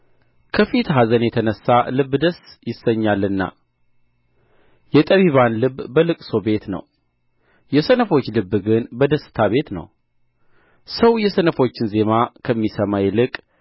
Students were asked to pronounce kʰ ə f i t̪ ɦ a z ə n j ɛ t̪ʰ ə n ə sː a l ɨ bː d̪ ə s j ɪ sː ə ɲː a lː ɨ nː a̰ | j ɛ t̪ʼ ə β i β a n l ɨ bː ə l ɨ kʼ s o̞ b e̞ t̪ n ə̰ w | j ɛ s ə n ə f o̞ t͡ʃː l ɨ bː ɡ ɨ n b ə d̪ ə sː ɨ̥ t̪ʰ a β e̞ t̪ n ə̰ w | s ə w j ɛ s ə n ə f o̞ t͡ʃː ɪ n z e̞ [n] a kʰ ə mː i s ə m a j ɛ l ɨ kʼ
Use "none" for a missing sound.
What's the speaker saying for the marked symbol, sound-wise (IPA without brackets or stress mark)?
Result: m